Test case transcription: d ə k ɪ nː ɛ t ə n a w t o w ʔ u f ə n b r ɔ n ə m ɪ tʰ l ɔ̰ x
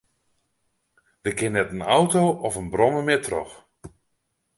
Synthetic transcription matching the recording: d ə k ɪ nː ɛ t ə n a w t o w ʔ ɔ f ə n b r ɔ m ə m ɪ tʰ r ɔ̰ x